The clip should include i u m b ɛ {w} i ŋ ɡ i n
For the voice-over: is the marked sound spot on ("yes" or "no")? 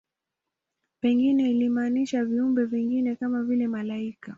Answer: no